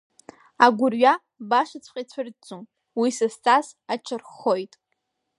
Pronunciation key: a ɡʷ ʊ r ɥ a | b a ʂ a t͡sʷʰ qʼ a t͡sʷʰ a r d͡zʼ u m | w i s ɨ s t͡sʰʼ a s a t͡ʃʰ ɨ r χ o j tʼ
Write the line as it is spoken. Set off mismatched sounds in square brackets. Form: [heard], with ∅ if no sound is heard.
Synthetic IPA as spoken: a ɡʷ ʊ r ɥ a | b a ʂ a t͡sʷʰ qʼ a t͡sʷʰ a r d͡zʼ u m | w i s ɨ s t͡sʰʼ a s a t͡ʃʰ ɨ r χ o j tʼ